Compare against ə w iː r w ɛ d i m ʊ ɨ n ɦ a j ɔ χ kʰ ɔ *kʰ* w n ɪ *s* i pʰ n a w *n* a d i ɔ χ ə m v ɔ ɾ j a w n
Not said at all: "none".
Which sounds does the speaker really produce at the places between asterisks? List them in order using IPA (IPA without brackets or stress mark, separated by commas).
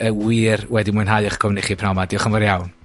none, χ, m